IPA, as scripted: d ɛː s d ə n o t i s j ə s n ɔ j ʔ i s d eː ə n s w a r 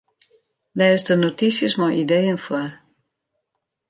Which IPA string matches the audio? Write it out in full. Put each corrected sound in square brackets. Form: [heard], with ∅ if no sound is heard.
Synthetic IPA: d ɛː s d ə n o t i s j ə s [m] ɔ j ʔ i [∅] d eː ə n [f] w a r